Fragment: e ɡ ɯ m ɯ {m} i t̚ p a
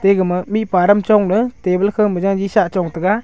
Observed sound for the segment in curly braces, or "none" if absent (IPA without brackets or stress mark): m